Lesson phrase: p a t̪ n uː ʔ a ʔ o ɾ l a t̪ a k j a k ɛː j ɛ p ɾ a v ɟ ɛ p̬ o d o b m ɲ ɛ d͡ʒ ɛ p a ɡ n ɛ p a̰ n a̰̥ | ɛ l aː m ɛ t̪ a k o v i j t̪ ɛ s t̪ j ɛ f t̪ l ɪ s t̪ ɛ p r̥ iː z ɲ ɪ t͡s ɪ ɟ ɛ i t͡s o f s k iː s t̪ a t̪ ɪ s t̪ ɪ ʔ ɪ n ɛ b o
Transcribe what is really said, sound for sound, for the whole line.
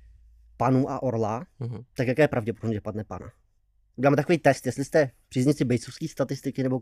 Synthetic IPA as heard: p a n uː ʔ a ʔ o ɾ l a t̪ a k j a k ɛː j ɛ p ɾ a v ɟ ɛ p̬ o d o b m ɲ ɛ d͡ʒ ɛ p a d n ɛ p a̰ n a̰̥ | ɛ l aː m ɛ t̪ a k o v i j t̪ ɛ s t̪ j ɛ s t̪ l ɪ s t̪ ɛ p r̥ iː z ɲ ɪ t͡s ɪ b ɛ j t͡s o f s k iː s t̪ a t̪ ɪ s t̪ ɪ k ɪ n ɛ b o